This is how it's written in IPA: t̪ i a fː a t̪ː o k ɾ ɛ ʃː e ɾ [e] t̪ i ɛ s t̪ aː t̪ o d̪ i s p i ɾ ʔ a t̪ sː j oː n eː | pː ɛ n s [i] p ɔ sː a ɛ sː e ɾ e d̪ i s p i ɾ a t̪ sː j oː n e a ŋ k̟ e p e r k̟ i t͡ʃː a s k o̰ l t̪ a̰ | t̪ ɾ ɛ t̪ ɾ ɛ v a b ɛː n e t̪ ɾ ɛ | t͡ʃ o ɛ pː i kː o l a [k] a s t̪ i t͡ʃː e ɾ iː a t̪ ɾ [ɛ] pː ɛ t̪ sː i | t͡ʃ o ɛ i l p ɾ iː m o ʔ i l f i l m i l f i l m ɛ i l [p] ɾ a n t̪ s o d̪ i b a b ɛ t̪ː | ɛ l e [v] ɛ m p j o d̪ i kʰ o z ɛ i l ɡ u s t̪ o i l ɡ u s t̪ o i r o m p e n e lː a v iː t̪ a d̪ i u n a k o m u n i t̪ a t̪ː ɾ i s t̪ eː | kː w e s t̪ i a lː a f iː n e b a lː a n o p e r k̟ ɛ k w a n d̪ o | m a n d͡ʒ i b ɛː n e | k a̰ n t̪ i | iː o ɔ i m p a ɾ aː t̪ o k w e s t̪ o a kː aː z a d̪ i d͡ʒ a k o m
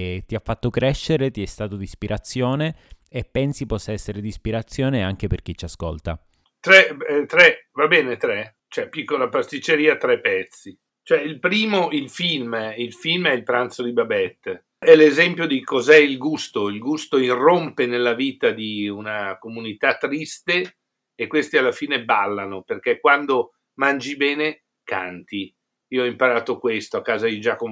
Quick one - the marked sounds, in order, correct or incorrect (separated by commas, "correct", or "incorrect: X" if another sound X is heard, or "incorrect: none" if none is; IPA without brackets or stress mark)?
correct, correct, incorrect: p, correct, correct, incorrect: z